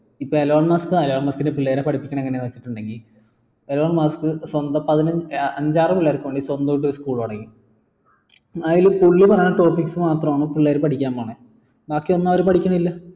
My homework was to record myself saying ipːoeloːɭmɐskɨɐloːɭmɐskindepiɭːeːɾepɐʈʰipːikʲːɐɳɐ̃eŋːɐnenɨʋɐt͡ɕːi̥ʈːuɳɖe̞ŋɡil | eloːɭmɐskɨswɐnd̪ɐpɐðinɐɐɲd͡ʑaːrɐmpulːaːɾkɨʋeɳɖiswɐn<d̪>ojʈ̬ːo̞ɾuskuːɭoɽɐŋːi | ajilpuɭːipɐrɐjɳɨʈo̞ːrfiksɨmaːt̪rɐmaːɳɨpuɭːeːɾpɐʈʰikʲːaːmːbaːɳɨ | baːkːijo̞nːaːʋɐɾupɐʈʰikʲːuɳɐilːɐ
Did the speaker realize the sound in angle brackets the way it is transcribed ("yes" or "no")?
yes